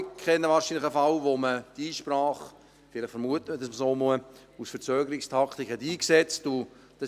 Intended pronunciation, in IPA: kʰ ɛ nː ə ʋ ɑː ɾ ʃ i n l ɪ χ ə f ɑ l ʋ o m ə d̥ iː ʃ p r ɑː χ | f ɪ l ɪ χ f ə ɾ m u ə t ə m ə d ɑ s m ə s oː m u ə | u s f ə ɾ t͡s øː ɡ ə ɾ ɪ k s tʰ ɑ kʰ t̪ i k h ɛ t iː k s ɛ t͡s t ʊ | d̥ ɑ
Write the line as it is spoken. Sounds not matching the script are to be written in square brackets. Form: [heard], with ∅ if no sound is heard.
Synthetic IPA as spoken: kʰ ɛ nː ə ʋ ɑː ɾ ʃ i n l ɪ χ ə f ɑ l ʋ o m ə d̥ iː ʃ p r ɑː χ | f ɪ l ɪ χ f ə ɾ m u ə t ə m ə d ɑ s m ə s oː m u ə | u s f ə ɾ t͡s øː ɡ ə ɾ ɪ k s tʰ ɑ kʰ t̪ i k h ɛ t iː k s ɛ t͡s t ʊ | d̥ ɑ